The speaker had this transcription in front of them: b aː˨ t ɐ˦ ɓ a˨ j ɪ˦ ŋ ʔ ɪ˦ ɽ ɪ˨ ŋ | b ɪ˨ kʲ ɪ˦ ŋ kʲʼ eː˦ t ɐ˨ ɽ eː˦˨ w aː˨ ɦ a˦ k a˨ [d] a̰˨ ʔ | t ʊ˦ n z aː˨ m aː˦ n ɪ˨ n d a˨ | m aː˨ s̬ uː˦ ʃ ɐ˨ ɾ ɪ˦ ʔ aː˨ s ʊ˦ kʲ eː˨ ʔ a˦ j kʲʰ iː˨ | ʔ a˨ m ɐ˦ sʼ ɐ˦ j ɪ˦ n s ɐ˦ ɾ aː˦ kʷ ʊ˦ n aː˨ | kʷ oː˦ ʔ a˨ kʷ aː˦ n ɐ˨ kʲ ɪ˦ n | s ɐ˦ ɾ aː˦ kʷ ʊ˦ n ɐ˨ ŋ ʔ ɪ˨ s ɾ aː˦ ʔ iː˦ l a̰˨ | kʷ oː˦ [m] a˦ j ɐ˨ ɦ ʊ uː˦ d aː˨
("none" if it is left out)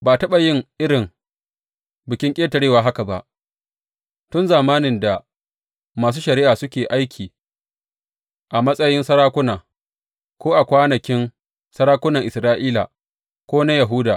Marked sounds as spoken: b, n

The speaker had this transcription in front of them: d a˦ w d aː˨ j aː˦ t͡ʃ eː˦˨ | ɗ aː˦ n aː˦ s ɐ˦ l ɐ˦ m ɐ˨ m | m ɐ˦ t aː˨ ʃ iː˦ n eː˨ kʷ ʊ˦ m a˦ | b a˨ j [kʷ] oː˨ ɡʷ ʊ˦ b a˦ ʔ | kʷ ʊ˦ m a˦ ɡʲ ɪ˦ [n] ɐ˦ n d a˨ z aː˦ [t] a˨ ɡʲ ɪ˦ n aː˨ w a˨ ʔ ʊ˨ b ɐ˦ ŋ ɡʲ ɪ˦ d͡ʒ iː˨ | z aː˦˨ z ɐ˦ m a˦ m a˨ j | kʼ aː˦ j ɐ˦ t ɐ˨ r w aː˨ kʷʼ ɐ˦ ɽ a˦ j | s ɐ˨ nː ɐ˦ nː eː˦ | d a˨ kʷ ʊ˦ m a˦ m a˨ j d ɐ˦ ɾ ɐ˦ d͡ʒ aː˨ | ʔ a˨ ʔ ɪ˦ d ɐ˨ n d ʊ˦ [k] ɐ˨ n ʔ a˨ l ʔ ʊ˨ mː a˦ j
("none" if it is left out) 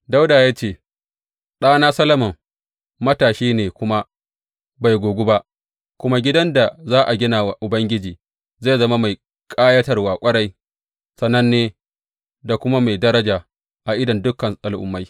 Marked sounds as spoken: ɡʷ, d, ʔ, k

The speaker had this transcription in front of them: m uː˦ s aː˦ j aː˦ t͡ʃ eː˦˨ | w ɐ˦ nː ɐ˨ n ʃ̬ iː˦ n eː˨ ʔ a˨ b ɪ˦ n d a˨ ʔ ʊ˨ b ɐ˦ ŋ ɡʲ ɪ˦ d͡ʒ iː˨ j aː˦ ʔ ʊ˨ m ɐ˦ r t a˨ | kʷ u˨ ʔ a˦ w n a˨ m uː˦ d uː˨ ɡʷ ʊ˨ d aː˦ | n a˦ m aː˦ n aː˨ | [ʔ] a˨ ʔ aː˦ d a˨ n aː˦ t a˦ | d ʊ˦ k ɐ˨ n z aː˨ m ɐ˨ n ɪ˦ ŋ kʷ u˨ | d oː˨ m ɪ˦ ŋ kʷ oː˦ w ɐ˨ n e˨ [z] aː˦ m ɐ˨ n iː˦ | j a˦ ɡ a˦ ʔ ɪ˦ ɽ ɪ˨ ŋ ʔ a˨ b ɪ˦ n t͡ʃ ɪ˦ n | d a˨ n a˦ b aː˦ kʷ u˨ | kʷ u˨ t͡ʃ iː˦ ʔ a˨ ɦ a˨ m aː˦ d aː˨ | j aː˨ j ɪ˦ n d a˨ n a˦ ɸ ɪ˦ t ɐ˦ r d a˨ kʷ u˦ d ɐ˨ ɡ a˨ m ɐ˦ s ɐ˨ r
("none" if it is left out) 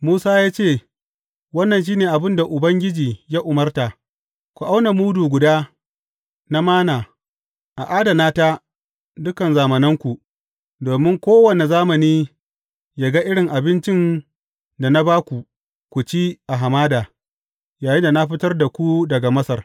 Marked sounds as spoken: ʔ, z

